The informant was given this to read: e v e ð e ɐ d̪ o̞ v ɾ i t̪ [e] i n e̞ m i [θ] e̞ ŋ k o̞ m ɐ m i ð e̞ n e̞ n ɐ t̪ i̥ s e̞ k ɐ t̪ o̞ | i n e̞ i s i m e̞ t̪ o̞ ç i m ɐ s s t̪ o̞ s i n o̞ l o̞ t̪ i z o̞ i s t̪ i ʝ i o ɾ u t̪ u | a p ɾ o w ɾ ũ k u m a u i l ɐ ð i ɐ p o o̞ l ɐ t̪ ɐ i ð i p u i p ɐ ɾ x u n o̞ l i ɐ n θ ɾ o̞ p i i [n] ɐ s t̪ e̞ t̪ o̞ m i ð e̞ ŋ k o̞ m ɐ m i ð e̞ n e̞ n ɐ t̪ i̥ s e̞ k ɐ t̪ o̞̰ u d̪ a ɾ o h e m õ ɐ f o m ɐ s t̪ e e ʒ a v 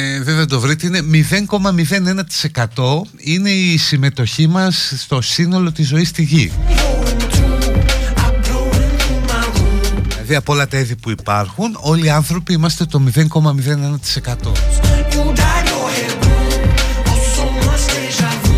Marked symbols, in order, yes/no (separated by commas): yes, no, no